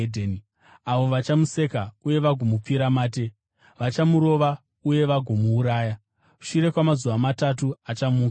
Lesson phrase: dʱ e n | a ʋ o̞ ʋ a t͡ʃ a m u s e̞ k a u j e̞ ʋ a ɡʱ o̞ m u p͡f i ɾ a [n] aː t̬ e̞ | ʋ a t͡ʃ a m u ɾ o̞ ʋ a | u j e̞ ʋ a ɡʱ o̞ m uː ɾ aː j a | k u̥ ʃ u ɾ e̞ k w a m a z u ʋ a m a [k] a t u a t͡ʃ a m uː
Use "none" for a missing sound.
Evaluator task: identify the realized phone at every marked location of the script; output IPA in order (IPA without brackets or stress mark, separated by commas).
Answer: m, t